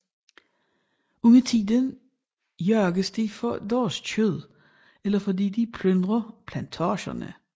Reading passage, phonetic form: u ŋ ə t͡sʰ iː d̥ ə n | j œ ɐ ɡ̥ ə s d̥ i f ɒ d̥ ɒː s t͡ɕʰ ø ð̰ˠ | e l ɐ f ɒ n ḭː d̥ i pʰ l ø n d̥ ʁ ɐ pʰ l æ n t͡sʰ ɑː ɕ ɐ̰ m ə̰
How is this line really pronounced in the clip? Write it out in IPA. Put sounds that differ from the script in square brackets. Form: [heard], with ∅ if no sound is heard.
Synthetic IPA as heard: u ŋ ə t͡sʰ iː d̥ ə n | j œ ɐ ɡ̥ ə s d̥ i f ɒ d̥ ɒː s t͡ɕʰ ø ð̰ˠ | e l ɐ f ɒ [d] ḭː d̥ i pʰ l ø n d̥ ʁ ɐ pʰ l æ n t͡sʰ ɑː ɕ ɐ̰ [n] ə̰